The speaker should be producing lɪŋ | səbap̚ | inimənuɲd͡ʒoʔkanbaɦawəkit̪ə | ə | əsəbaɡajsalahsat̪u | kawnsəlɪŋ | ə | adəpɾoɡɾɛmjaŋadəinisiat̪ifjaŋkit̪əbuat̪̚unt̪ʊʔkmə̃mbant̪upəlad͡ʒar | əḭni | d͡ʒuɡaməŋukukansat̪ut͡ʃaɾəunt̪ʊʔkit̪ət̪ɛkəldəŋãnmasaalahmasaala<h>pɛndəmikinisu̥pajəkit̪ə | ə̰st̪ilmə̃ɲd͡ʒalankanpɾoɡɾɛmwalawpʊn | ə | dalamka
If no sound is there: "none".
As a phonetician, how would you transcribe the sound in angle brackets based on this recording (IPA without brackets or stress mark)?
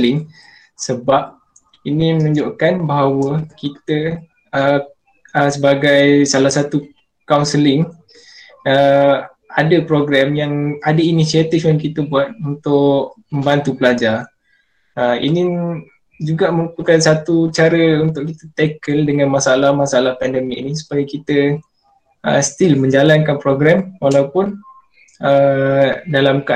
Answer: h